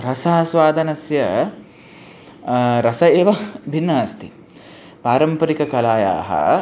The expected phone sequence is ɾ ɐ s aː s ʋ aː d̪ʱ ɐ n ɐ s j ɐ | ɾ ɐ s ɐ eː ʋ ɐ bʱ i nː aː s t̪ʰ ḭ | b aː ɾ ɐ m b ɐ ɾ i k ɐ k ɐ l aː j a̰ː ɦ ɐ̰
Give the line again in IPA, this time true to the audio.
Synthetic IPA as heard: ɾ ɐ s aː s ʋ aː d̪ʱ ɐ n ɐ s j ɐ | ɾ ɐ s ɐ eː ʋ ɐ bʱ i nː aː s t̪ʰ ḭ | p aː ɾ ɐ m p ɐ ɾ i k ɐ k ɐ l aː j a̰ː ɦ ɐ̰